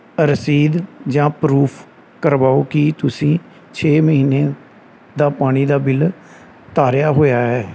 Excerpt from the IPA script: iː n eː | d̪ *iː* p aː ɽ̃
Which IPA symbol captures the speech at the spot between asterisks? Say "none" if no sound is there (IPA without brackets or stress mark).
aː